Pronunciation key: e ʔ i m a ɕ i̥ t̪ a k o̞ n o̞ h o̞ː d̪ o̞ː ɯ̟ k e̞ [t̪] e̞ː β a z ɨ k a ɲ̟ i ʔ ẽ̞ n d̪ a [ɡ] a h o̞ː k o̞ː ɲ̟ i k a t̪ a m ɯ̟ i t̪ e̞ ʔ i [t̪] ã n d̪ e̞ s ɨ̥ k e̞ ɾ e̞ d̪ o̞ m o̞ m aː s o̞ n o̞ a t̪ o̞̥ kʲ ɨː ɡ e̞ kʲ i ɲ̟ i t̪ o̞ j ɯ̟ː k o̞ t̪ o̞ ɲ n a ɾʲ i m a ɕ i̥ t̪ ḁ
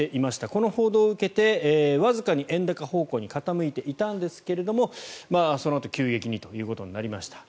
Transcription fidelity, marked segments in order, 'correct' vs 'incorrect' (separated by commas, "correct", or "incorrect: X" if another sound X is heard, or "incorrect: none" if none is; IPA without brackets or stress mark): correct, incorrect: k, correct